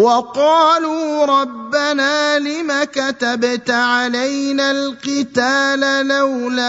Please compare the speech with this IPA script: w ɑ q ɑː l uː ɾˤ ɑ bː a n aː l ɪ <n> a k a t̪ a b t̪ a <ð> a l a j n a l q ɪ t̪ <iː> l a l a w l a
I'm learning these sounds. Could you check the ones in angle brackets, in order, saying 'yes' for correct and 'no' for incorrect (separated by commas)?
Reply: no, no, no